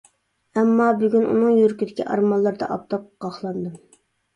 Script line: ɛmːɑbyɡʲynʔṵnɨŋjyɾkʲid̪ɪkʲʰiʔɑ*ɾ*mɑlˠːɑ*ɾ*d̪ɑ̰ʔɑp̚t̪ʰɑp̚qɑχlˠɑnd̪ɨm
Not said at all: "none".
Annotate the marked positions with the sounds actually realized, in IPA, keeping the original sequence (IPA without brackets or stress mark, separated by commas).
ɾ, ɾ